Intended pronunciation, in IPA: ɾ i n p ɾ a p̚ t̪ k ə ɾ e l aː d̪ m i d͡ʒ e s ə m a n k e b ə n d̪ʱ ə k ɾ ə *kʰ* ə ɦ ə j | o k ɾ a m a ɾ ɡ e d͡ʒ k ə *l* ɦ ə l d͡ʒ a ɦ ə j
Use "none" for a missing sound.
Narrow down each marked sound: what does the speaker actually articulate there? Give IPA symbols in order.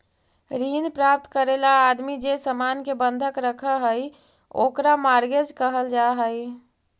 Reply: kʰ, none

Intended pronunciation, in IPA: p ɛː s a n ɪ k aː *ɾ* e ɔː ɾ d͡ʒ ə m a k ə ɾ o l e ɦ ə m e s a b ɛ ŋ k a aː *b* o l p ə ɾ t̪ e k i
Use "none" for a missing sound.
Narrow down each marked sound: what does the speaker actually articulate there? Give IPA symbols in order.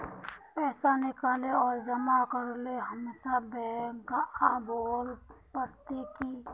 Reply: l, b

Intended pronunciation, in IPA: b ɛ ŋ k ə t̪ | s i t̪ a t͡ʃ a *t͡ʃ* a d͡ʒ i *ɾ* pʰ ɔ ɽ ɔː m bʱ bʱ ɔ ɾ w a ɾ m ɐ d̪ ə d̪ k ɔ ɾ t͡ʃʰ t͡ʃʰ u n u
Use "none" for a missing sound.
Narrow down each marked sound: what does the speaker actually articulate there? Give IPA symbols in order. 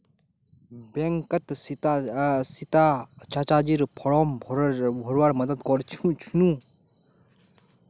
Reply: t͡ʃ, ɾ

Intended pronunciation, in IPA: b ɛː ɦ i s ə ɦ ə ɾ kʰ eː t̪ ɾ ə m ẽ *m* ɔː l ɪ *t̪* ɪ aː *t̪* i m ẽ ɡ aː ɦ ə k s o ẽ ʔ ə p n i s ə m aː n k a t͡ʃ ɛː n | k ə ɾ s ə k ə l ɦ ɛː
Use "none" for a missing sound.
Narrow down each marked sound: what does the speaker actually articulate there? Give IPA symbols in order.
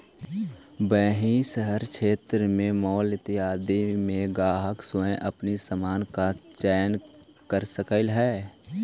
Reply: m, t̪, d̪

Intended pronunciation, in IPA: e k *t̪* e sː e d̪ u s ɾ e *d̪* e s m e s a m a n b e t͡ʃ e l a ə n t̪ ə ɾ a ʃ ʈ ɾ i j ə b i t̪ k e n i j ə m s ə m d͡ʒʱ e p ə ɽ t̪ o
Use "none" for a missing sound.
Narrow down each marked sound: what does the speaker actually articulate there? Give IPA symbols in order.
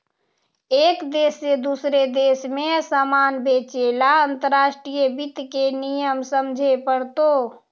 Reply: d̪, d̪

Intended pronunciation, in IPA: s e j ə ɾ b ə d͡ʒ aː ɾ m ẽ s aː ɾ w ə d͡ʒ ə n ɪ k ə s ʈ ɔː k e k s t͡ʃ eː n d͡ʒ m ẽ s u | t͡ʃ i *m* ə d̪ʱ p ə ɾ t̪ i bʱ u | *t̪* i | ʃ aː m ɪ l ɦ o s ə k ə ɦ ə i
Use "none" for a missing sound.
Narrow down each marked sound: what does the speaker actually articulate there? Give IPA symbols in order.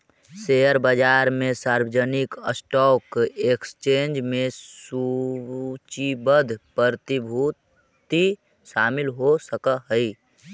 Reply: b, t̪

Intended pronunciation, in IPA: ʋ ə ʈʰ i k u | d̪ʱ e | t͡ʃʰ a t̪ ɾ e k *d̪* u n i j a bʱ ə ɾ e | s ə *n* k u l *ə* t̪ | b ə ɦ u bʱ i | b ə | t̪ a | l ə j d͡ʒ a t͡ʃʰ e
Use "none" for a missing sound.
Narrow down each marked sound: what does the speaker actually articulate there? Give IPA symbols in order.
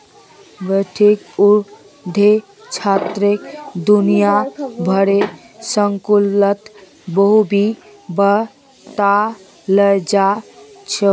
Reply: d̪, ŋ, ə

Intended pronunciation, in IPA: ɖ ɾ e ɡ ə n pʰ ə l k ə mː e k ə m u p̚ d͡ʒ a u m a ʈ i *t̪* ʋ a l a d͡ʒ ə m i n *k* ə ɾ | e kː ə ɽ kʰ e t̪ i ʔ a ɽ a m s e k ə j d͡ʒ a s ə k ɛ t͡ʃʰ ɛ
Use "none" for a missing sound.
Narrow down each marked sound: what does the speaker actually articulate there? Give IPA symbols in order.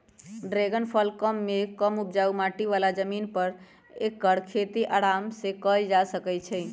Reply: none, p

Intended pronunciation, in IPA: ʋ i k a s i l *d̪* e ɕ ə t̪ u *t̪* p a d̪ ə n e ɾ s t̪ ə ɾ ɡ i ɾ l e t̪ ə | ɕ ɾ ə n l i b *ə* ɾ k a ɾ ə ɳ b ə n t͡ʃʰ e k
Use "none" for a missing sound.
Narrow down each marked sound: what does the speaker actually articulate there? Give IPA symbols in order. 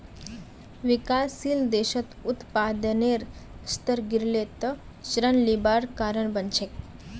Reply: d̪, t̪, a

